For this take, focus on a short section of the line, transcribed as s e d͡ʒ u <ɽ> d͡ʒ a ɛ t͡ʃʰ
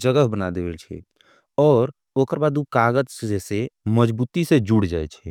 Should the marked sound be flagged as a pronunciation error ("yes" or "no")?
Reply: no